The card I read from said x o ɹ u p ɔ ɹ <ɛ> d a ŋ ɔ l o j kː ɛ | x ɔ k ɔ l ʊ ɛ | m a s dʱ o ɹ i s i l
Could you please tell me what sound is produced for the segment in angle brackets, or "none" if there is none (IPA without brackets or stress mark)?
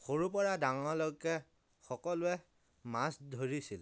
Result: a